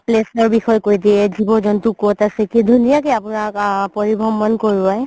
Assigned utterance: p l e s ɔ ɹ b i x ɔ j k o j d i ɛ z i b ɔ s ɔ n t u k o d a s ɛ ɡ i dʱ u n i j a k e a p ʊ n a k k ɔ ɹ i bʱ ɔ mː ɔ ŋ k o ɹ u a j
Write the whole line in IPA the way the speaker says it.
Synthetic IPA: p l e s ɔ ɹ b i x ɔ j k o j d i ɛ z i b ɔ z ɔ n t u k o t a s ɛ k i dʱ u n i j a k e a p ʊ n a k p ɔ ɹ i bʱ ɔ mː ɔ n k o ɹ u a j